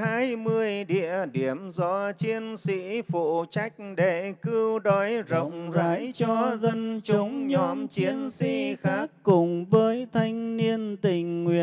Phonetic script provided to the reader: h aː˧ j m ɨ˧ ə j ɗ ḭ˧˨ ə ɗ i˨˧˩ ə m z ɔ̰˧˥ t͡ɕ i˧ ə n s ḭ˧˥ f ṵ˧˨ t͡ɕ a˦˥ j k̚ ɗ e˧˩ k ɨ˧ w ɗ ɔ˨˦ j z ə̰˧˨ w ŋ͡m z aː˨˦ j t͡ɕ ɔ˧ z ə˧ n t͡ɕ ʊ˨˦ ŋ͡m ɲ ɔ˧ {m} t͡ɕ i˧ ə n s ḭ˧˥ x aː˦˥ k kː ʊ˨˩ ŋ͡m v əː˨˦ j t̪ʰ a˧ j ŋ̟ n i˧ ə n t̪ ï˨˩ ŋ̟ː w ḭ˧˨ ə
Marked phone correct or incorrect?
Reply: correct